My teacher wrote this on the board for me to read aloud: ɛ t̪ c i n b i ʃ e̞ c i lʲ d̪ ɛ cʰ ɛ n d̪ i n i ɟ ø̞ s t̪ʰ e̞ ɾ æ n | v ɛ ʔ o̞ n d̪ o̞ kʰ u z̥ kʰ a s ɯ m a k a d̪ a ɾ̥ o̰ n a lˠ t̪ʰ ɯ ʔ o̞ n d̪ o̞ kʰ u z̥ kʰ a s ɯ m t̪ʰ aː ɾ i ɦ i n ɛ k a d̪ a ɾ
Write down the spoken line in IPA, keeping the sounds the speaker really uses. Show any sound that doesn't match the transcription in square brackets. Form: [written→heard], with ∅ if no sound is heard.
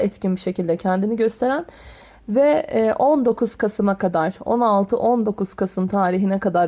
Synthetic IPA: ɛ t̪ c i n b i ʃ e̞ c i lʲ d̪ ɛ cʰ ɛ n d̪ i n i ɟ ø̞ s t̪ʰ e̞ ɾ æ n | v ɛ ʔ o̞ n d̪ o̞ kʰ u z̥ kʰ a s ɯ m a k a d̪ a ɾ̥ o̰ n a lˠ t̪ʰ ɯ ʔ o̞ n d̪ o̞ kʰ u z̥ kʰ a s ɯ m t̪ʰ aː ɾ i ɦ i n ɛ k a d̪ a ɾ